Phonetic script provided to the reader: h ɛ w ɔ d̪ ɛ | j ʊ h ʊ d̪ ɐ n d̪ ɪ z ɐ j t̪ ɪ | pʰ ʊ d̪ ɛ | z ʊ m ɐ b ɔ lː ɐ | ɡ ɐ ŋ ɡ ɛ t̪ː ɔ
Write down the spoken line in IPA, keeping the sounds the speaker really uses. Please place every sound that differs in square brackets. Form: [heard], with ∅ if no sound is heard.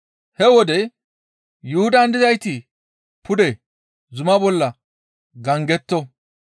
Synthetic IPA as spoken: h ɛ w ɔ d̪ ɛ | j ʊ h ʊ d̪ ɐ n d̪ ɪ z ɐ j t̪ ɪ | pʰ ʊ d̪ ɛ | z ʊ m ɐ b ɔ lː ɐ | ɡ ɐ ŋ ɡ ɛ t̪ː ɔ